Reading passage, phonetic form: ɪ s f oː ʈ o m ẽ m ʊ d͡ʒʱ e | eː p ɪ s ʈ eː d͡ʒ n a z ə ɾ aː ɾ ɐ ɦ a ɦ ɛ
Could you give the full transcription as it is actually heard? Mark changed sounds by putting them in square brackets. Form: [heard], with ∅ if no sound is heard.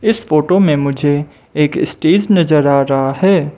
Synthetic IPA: ɪ s f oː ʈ o m ẽ m ʊ d͡ʒʱ e | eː [k] ɪ s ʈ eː d͡ʒ n [ɐ] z ə ɾ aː ɾ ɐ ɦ a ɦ [ɛː]